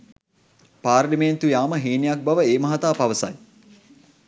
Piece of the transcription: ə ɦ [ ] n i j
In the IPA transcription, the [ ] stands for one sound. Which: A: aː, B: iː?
B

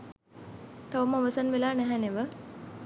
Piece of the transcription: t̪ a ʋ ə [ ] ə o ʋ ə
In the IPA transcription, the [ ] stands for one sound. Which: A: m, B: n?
A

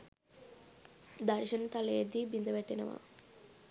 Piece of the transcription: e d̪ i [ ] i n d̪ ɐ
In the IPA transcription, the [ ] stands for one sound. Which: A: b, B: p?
A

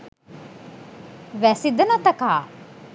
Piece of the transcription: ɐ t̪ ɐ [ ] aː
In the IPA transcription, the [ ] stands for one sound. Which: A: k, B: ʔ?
A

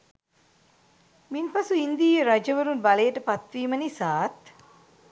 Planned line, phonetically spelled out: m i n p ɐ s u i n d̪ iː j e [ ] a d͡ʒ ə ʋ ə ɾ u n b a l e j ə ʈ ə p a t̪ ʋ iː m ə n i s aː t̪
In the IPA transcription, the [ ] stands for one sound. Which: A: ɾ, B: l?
A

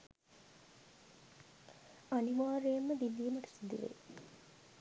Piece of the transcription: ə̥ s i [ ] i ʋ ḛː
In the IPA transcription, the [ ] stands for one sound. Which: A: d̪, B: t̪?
A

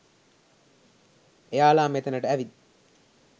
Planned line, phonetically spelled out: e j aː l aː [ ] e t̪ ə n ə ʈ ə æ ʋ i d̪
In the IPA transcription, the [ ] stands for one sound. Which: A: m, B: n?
A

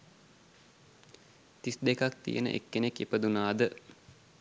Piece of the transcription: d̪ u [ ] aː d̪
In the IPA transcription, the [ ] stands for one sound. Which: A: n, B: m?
A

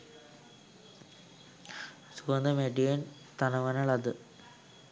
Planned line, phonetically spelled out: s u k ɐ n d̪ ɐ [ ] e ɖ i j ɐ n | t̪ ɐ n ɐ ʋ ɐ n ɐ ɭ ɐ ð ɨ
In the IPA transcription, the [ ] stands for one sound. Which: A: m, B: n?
A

